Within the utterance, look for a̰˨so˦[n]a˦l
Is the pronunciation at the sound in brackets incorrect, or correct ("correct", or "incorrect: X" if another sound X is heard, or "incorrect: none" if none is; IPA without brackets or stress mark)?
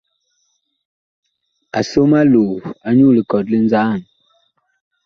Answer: incorrect: m